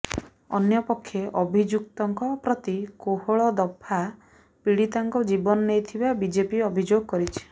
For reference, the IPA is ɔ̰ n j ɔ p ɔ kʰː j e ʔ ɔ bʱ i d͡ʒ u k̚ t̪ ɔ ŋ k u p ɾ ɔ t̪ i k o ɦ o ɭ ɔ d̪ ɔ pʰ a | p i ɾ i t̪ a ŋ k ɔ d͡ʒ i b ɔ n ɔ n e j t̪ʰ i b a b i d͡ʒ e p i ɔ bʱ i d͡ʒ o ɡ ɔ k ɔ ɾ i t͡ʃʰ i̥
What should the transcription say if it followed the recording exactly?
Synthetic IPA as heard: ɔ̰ n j ɔ p ɔ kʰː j e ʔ ɔ bʱ i d͡ʒ u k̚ t̪ ɔ ŋ k ɔ p ɾ ɔ t̪ i k o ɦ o ɭ ɔ d̪ ɔ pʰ a | p i ɽ i t̪ a ŋ k ɔ d͡ʒ i b ɔ n ɔ n e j t̪ʰ i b a b i d͡ʒ e p i ɔ bʱ i d͡ʒ o ɡ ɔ k ɔ ɾ i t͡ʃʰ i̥

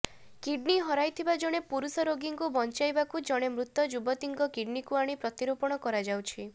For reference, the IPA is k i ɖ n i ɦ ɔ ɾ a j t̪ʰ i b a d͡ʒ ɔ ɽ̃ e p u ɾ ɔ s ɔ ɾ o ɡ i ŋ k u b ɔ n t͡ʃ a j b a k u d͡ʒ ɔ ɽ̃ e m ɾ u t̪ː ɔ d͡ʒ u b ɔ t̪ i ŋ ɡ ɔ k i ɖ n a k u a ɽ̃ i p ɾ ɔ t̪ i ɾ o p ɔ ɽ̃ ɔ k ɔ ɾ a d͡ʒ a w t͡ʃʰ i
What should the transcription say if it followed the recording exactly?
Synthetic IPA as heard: k i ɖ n i ɦ ɔ ɾ a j t̪ʰ i b a d͡ʒ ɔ ɽ̃ e p u ɾ u s ɔ ɾ o ɡ i ŋ k u b ɔ n t͡ʃ a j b a k u d͡ʒ ɔ ɽ̃ e m ɾ u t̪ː ɔ d͡ʒ u b ɔ t̪ i ŋ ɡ ɔ k i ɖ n i k u a ɽ̃ i p ɾ ɔ t̪ i ɾ o p ɔ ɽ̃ ɔ k ɔ ɾ a d͡ʒ a w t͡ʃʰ i

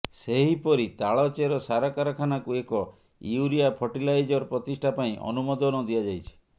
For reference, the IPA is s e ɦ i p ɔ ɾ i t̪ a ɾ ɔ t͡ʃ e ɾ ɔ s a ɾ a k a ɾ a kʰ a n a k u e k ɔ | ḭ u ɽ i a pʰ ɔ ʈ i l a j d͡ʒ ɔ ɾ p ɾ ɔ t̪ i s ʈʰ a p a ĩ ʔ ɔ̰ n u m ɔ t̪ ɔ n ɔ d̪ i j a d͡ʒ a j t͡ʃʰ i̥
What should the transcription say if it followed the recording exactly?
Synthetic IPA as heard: s e ɦ i p ɔ ɾ i t̪ a ɭ ɔ t͡ʃ e ɾ ɔ s a ɾ a k a ɾ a kʰ a n a k u e k ɔ | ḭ u ɾ i a pʰ ɔ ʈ i l a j d͡ʒ ɔ ɾ p ɾ ɔ t̪ i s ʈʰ a p a ĩ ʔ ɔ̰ n u m ɔ d̪ ɔ n ɔ d̪ i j a d͡ʒ a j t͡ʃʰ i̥

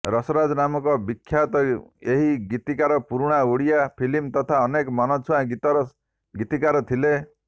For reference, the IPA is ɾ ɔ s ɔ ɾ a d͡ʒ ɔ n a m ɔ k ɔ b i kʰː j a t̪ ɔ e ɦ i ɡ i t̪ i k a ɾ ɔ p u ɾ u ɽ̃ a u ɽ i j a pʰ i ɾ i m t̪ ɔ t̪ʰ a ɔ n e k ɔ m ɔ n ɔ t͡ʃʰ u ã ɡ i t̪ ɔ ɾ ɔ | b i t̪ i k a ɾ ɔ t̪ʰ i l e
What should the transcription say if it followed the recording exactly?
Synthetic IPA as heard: ɾ ɔ s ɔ ɾ a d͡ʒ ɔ n a m ɔ k ɔ b i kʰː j a t̪ ɔ e ɦ i ɡ i t̪ i k a ɾ ɔ p u ɾ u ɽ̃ a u ɽ i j a pʰ i l i m t̪ ɔ t̪ʰ a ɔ n e k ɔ m ɔ n ɔ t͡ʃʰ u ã ɡ i t̪ ɔ ɾ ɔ | ɡ i t̪ i k a ɾ ɔ t̪ʰ i l e

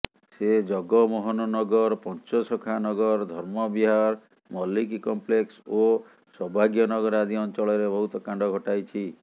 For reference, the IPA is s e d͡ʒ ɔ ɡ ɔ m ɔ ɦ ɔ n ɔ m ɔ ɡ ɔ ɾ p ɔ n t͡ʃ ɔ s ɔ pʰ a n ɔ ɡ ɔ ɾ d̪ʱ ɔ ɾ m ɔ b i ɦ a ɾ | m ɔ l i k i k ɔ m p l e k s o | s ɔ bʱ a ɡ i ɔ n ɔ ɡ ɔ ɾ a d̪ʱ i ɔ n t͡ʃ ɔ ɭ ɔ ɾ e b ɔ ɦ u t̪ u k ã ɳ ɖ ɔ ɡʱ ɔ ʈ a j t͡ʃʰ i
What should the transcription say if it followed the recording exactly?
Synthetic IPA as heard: s e d͡ʒ ɔ ɡ ɔ m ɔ ɦ ɔ n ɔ n ɔ ɡ ɔ ɾ p ɔ n t͡ʃ ɔ s ɔ kʰ a n ɔ ɡ ɔ ɾ d̪ʱ ɔ ɾ m ɔ b i ɦ a ɾ | m ɔ l i k i k ɔ m p l e k s o | s ɔ bʱ a ɡ j ɔ n ɔ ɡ ɔ ɾ a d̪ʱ i ɔ n t͡ʃ ɔ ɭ ɔ ɾ e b ɔ ɦ u t̪ ɔ k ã ɳ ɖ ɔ ɡʱ ɔ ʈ a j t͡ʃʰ i

